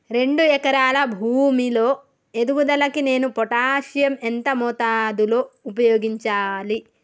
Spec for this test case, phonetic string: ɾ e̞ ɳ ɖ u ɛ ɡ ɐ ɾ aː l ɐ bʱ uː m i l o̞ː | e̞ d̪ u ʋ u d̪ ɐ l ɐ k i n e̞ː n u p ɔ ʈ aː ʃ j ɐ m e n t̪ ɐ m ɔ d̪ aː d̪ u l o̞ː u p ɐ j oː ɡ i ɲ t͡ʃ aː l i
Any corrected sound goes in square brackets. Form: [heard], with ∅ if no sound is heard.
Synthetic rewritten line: ɾ e̞ ɳ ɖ u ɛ [k] ɐ ɾ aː l ɐ bʱ uː m i l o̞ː | e̞ d̪ u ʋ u d̪ ɐ l ɐ k i n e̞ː n u p ɔ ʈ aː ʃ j ɐ m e n t̪ ɐ m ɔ [t̪] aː d̪ u l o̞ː u p ɐ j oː ɡ i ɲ t͡ʃ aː l i